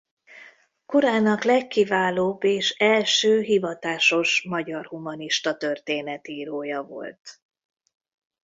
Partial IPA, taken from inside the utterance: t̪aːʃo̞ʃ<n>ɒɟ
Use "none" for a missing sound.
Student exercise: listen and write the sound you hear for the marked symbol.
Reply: m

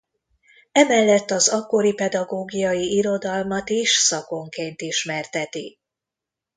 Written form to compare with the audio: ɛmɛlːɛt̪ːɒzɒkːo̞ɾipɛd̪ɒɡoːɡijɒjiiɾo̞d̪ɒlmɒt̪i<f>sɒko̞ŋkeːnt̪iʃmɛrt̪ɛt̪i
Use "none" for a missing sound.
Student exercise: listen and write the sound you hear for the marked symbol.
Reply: ʃ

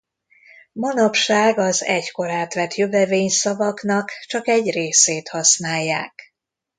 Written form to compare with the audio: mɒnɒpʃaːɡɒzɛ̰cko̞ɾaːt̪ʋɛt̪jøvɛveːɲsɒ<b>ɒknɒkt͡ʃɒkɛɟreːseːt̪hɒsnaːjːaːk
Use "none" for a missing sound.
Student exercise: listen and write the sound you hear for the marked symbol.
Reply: v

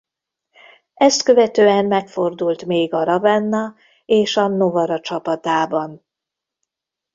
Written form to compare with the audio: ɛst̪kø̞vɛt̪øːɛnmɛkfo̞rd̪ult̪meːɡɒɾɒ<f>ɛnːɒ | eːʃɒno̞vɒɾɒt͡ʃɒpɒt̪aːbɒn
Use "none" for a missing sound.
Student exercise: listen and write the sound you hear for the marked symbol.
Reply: v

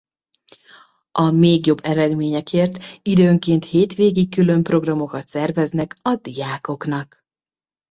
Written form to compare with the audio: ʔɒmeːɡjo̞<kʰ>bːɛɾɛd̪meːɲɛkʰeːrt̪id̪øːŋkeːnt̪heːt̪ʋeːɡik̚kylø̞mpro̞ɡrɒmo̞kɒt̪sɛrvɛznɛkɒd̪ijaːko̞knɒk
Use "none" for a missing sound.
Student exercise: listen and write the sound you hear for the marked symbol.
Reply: none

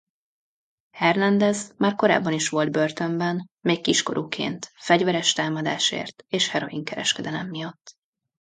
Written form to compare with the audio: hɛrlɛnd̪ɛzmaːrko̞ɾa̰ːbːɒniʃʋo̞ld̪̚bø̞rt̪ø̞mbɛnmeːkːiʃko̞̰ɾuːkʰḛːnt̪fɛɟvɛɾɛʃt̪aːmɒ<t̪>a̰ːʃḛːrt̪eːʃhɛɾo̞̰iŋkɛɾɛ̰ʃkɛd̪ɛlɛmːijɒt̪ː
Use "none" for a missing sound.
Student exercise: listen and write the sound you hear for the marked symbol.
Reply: d̪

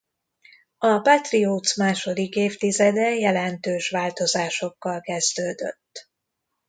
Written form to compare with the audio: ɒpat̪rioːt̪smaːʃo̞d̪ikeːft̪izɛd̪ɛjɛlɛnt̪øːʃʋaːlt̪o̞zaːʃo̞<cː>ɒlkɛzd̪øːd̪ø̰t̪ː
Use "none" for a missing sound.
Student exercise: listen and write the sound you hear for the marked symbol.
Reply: kː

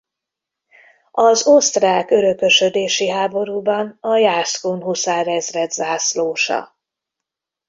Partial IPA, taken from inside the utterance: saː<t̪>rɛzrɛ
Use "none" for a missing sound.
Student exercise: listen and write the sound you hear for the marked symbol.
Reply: none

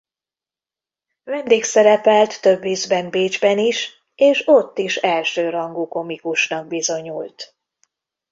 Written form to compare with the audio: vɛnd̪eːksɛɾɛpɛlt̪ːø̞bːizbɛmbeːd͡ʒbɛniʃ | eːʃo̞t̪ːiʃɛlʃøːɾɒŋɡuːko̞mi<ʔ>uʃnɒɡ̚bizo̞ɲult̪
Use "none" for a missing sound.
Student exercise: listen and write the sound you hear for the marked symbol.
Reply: k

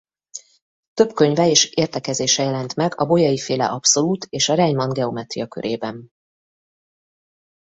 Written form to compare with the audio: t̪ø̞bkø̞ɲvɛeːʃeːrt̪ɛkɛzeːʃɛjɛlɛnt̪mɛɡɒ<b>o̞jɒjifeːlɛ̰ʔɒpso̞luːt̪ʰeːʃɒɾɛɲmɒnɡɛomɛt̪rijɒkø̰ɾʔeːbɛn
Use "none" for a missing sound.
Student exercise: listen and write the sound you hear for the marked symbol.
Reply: b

